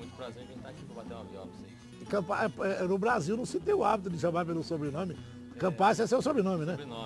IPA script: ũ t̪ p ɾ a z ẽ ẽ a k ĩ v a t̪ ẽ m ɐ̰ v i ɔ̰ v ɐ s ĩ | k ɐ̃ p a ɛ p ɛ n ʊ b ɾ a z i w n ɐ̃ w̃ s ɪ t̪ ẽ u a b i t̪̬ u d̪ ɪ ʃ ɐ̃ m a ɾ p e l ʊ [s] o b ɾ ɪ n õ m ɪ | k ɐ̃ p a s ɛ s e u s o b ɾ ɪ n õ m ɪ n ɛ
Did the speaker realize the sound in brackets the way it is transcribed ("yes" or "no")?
yes